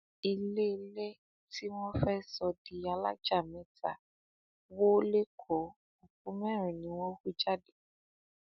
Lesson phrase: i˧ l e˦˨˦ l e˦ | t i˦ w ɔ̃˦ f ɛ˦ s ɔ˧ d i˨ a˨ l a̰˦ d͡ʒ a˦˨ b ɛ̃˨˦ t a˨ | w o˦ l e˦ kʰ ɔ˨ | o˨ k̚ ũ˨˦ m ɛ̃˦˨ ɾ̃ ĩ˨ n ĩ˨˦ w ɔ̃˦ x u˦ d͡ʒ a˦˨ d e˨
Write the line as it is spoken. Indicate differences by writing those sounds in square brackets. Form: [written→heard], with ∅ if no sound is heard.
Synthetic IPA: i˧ l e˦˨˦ l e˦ | t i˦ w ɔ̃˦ f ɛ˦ s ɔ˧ d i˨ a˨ l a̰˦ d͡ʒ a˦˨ [b→m] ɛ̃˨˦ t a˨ | w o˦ l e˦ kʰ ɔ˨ | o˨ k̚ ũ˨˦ m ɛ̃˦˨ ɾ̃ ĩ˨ n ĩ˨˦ w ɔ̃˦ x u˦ d͡ʒ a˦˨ d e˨